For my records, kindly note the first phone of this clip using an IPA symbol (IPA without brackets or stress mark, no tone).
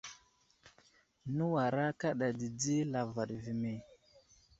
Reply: n